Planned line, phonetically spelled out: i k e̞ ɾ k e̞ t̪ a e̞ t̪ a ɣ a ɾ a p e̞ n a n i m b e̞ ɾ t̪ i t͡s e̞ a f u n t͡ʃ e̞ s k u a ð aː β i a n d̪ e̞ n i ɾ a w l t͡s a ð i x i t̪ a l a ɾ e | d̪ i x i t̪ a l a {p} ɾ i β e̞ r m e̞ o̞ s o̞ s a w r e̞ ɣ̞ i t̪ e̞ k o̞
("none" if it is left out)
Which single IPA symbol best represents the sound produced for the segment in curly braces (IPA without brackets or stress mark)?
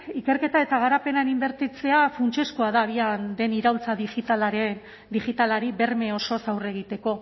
none